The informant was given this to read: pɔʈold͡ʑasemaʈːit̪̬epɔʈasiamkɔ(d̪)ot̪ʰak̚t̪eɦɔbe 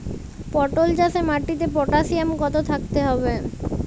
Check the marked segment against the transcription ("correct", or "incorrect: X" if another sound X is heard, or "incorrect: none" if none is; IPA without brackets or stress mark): incorrect: t̪